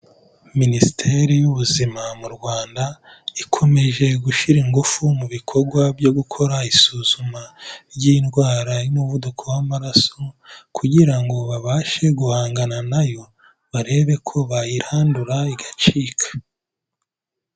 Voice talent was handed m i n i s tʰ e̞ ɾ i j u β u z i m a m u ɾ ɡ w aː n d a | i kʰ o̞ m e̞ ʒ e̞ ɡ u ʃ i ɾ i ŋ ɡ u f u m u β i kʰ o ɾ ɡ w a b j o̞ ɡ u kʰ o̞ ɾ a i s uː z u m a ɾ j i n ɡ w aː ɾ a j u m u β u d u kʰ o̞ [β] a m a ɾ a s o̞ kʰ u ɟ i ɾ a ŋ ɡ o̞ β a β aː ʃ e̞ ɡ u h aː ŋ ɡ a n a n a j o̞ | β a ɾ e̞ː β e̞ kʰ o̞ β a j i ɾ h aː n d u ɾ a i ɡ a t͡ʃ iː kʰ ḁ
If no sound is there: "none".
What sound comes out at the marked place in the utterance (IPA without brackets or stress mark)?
w